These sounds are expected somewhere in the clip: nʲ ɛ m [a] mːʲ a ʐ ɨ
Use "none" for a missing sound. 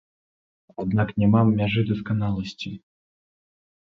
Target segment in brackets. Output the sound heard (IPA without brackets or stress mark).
a